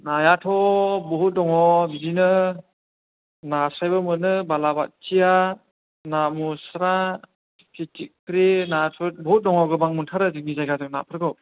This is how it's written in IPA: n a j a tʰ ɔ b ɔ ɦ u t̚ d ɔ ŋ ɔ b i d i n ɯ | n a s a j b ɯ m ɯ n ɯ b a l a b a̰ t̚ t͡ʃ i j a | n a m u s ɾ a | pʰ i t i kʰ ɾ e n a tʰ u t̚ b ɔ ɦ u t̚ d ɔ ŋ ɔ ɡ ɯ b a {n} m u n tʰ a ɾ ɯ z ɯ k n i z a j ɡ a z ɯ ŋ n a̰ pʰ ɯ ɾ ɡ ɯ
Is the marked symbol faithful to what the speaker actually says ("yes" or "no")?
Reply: no